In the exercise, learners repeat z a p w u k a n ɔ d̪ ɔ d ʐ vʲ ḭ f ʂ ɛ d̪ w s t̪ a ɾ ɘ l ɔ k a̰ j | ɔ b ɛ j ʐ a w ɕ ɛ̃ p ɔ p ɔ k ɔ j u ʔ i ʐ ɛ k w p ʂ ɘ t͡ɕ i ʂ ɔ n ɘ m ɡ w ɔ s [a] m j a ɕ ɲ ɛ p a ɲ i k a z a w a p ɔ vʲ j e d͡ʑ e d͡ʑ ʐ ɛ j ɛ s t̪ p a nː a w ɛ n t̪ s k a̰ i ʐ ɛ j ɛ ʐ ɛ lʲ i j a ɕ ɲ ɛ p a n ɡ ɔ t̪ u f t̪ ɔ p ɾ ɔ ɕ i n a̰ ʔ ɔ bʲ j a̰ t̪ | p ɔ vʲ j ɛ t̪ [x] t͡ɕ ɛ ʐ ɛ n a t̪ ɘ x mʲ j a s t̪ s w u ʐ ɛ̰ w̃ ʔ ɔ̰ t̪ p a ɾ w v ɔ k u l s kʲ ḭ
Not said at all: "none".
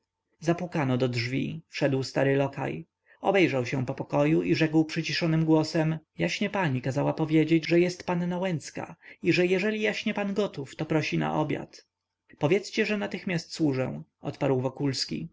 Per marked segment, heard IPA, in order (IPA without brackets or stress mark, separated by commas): ɛ, s